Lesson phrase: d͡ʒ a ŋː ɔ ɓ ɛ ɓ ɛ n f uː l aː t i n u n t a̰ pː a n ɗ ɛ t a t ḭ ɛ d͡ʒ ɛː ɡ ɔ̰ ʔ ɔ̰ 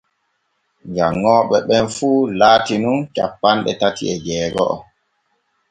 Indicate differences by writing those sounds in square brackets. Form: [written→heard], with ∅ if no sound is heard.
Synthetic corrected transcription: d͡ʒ a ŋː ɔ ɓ ɛ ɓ ɛ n f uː l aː t i n u n [t→t͡ʃ] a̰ pː a n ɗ ɛ t a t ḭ ɛ d͡ʒ ɛː ɡ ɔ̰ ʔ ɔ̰